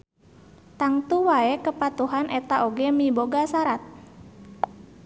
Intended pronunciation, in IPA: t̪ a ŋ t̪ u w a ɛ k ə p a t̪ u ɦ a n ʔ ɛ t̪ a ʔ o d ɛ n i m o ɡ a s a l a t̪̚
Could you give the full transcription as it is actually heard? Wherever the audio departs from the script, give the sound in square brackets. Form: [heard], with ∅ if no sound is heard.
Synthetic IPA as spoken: t̪ a ŋ t̪ u w a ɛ k ə p a t̪ u ɦ a n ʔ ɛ t̪ a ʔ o [ɡ] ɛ [m] i [b] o ɡ a s a [ɾ] a t̪̚